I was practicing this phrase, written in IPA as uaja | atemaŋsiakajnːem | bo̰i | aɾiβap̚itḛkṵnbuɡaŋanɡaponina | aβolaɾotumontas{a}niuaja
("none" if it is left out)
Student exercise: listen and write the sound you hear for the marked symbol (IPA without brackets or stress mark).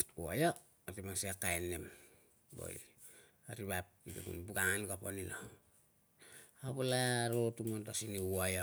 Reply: i